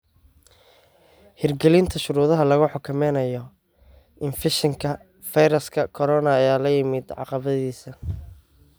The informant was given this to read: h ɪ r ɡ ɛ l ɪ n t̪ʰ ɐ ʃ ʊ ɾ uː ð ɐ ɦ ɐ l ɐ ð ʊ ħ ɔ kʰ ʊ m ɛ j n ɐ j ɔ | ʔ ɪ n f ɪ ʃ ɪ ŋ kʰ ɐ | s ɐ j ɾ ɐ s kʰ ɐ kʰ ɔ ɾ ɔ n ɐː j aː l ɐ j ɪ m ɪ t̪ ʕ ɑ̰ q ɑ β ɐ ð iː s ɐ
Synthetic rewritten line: h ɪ r ɡ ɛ l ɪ n t̪ʰ ɐ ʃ ʊ ɾ uː ð ɐ ɦ ɐ l ɐ ɣ ʊ ħ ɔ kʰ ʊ m ɛ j n ɐ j ɔ | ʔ ɪ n f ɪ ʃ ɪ ŋ kʰ ɐ | f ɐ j ɾ ɐ s kʰ ɐ kʰ ɔ ɾ ɔ n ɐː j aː l ɐ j ɪ m ɪ d̪ ʕ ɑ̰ q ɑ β ɐ ð iː s ɐ